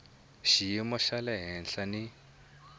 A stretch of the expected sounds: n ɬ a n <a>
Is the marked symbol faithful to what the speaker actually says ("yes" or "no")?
no